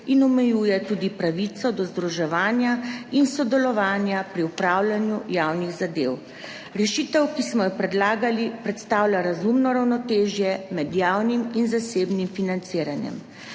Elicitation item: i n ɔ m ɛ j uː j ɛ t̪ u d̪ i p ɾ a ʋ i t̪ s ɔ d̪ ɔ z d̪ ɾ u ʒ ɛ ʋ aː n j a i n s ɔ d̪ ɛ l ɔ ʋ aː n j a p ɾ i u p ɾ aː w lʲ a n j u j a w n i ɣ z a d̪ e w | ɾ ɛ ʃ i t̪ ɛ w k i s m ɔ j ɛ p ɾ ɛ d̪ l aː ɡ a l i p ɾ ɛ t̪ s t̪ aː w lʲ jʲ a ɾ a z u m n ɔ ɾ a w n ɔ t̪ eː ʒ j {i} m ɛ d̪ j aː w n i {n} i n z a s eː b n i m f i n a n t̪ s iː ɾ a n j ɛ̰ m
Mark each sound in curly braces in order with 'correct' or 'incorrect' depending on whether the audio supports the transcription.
incorrect: ɛ, incorrect: m

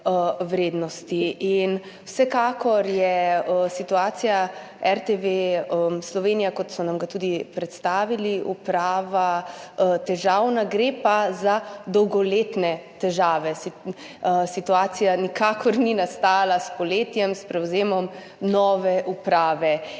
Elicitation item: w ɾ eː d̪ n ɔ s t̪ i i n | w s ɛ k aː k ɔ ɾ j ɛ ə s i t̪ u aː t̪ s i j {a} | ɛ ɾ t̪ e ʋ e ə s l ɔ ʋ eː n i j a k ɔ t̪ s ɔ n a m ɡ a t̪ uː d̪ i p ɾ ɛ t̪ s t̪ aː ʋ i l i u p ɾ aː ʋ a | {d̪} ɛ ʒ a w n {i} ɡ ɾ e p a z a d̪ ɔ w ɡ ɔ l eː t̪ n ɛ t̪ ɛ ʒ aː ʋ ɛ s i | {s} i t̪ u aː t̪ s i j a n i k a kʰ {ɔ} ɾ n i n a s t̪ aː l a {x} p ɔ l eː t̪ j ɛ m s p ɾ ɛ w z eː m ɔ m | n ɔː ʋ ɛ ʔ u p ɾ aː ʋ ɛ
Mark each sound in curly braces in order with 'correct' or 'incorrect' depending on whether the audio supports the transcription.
correct, incorrect: t̪, incorrect: a, correct, correct, incorrect: s

